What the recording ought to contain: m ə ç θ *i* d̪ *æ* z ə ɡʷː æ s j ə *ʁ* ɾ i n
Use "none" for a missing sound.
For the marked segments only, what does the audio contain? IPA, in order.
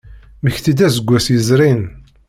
i, æ, z

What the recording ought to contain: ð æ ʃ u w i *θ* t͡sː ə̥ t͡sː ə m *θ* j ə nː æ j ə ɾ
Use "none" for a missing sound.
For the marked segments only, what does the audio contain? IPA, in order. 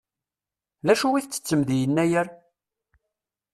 θ, ð

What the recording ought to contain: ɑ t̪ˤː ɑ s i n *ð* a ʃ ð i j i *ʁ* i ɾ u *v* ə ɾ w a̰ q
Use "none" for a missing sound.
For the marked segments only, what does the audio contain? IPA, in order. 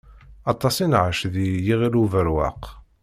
ʕ, ʁ, v

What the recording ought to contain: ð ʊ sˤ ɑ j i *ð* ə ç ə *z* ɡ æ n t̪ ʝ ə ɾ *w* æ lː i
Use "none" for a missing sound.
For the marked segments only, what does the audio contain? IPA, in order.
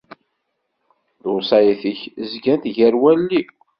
θ, z, w

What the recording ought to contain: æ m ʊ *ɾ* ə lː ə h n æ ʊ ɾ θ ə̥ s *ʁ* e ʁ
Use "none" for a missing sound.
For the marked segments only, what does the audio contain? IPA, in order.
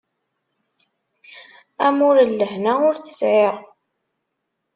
ɾ, ʕ

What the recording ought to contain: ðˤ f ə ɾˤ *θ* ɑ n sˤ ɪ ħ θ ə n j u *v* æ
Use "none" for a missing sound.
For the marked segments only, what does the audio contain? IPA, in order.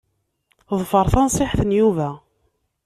θ, v

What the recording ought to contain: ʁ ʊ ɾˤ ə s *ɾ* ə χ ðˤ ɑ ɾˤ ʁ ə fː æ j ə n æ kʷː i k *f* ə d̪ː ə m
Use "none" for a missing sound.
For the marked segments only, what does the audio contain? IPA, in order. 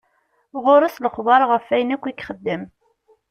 l, χ

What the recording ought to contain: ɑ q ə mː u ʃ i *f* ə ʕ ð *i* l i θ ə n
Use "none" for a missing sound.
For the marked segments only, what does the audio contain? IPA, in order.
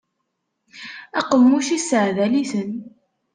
s, æ

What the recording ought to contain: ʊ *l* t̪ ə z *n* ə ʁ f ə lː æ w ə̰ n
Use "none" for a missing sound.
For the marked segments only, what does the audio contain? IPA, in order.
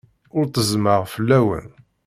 ɾ, m

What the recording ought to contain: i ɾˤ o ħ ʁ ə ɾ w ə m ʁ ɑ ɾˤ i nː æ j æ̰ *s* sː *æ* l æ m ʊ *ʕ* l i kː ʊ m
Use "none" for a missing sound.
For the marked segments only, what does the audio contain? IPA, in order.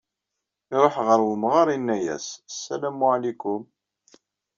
s, æ, ʕ

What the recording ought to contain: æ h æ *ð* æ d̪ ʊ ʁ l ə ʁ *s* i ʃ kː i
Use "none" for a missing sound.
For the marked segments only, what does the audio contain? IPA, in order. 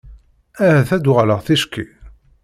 θ, θ

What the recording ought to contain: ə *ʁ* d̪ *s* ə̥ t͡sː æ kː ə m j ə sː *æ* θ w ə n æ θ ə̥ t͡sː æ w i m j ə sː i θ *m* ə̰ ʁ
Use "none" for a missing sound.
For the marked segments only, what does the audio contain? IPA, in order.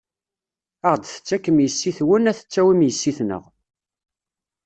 ʁ, θ, i, n

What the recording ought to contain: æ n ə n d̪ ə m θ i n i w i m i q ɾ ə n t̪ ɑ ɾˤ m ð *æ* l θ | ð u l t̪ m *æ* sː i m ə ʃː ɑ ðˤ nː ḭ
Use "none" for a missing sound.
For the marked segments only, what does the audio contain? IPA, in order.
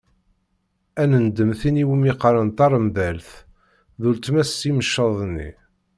æ, æ

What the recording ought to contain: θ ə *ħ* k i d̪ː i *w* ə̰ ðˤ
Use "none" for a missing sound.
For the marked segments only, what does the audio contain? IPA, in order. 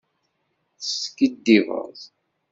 s, v

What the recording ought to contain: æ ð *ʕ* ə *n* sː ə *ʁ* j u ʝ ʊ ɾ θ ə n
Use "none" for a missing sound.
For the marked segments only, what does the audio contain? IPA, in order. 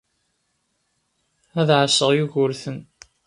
ʕ, none, ʁ

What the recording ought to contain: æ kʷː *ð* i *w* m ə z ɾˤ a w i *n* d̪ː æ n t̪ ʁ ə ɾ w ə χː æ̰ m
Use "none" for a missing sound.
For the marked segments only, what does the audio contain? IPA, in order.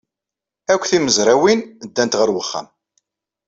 θ, none, n

